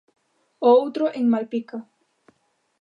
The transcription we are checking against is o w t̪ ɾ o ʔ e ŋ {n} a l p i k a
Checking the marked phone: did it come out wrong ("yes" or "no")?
yes